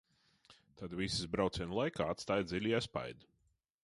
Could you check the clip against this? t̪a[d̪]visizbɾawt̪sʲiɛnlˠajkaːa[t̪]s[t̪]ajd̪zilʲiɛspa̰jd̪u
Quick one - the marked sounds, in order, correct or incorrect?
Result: correct, correct, correct

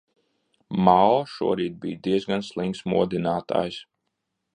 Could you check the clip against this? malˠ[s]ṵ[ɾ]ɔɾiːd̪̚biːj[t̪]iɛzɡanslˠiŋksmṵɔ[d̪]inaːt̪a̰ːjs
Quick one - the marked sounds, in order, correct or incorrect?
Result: incorrect, incorrect, incorrect, correct

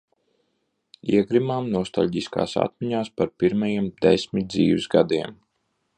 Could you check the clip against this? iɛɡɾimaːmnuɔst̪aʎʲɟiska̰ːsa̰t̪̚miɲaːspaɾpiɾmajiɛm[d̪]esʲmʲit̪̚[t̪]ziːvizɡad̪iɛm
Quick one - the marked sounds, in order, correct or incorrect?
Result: correct, incorrect

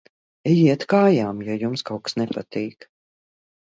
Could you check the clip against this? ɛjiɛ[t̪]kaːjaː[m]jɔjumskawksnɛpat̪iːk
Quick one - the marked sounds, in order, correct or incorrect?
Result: correct, correct

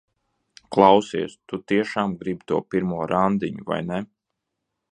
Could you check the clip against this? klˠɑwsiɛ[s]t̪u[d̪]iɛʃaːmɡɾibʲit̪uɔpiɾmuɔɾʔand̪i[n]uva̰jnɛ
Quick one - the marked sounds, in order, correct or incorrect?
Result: correct, incorrect, incorrect

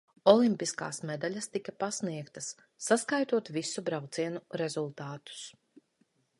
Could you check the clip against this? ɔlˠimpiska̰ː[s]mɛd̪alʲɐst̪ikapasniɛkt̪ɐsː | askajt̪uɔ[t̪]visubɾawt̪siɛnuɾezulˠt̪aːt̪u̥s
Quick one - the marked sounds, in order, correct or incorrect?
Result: correct, correct

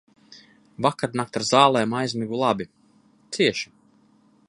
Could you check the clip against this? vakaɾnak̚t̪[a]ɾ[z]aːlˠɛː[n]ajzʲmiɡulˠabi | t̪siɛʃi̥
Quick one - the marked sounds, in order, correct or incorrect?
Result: correct, correct, incorrect

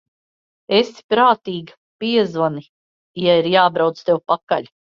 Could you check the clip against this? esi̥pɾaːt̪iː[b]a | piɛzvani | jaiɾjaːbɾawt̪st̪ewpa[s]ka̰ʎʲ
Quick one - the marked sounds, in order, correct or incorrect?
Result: incorrect, incorrect

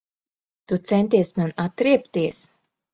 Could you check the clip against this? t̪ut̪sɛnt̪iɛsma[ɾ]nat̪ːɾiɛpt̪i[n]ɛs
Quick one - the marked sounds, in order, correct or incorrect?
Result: incorrect, incorrect

